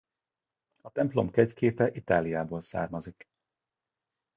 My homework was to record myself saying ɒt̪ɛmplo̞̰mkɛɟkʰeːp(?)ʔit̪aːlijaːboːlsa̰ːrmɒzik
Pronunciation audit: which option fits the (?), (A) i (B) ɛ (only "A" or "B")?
B